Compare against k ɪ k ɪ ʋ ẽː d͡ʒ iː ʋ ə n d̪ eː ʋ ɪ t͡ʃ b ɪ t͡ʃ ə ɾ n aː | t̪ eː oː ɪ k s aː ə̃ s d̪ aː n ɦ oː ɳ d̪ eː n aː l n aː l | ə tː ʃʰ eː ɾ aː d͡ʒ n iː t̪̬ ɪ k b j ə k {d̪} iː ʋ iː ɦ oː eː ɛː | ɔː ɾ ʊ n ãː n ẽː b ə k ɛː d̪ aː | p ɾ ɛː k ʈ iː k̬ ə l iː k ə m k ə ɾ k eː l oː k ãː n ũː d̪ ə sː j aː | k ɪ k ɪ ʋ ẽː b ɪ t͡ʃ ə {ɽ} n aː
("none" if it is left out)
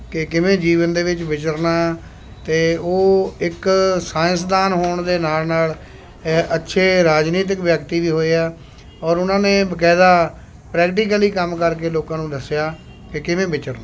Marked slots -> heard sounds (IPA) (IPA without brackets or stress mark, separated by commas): t̪, ɾ